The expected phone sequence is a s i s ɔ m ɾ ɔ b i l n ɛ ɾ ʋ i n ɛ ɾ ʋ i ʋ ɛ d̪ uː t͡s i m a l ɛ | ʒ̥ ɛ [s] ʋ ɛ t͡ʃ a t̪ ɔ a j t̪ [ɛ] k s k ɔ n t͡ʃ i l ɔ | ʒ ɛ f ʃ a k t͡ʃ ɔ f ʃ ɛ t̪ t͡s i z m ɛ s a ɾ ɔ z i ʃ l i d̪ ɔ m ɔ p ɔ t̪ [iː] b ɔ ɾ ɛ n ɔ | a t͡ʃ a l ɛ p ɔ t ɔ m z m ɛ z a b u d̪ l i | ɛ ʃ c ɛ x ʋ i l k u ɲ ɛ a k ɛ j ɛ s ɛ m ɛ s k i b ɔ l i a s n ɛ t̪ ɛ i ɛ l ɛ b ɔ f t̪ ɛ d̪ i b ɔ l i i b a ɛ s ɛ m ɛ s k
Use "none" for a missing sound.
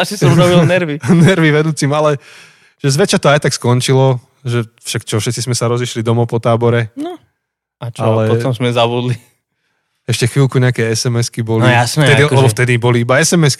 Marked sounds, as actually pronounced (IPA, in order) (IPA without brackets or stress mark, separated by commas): z, a, aː